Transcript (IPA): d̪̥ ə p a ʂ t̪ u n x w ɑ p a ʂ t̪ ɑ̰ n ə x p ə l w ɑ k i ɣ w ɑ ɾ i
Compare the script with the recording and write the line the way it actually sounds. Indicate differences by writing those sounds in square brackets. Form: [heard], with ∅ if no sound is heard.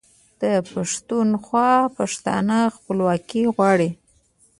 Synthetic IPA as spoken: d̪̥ ə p a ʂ t̪ u n x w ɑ p a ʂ t̪ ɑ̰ n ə x p ə l w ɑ k i ɣ w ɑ [ɽ] i